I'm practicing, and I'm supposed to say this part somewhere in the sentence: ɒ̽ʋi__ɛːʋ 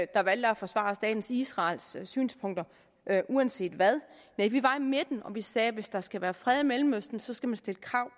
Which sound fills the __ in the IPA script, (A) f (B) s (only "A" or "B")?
B